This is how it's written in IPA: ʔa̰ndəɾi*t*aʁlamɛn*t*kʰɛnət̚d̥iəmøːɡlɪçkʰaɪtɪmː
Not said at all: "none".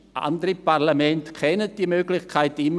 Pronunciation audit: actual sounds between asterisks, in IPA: p, t

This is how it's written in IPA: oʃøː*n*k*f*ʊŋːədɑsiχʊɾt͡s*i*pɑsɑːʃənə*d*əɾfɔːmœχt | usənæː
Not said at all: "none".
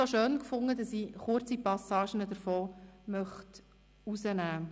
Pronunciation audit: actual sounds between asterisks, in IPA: n, f, i, d

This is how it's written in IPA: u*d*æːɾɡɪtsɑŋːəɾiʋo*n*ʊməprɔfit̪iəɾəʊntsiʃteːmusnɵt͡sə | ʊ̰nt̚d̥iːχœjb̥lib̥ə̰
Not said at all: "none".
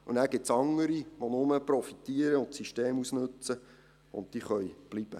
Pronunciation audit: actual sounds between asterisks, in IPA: n, n

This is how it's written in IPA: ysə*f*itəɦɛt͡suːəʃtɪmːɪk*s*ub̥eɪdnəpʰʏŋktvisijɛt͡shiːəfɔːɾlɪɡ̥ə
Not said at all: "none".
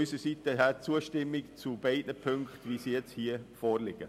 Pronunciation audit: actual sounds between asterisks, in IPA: s, t͡s

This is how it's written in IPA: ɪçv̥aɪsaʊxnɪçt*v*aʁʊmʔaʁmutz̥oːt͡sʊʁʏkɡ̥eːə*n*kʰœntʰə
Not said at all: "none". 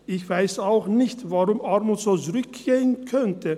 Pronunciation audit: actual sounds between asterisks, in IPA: v, n

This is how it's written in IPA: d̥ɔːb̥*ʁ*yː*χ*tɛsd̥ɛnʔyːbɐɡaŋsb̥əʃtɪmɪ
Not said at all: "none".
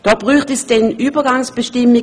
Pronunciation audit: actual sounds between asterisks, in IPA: ʁ, χ

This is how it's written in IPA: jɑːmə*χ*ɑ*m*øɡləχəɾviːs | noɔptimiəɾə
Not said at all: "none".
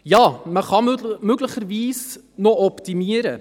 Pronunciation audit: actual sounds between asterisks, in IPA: χ, m

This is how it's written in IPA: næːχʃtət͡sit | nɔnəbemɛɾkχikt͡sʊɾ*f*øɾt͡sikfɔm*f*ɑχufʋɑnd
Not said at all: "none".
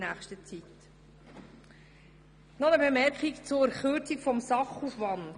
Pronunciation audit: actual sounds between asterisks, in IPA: χ, s

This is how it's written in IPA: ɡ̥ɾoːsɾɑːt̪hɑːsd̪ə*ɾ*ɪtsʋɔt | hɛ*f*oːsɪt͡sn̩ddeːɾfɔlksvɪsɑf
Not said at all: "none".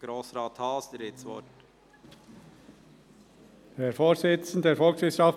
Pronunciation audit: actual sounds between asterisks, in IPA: ɾ, f

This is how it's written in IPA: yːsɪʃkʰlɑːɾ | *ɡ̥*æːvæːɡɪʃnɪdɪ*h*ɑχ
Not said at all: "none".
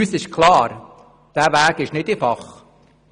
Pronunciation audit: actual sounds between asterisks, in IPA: d̥, f

